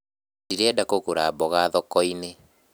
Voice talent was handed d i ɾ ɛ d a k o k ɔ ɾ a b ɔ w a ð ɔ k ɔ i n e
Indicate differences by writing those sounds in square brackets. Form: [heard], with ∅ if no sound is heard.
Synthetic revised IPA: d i ɾ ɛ d a k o k [o] ɾ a b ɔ [ɣ] a ð ɔ k ɔ i n e